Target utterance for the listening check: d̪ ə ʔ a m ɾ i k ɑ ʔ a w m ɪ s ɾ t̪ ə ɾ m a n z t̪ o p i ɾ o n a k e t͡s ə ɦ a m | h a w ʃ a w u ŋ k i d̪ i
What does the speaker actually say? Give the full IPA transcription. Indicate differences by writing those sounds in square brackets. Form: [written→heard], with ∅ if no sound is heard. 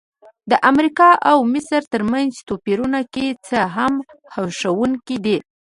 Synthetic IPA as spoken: d̪ ə ʔ a m ɾ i k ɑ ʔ a w m ɪ s ɾ t̪ ə ɾ m a n z t̪ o p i ɾ [o→u] n a k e t͡s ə ɦ a m | h a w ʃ a w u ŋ k i d̪ i